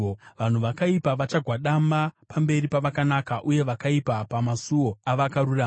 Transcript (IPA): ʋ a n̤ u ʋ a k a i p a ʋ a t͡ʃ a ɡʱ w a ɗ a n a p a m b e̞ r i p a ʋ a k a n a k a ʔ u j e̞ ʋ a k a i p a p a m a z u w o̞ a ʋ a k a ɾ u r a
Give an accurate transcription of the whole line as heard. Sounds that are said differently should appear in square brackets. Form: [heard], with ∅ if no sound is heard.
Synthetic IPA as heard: ʋ a n̤ u ʋ a k a i p a ʋ a t͡ʃ a ɡʱ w a ɗ a [m] a p a m b e̞ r i p a ʋ a k a n a k a ʔ u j e̞ ʋ a k a i p a p a m a [s] u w o̞ a ʋ a k a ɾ u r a